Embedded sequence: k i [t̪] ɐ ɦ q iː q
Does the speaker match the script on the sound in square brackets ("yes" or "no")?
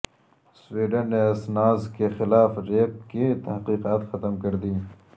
yes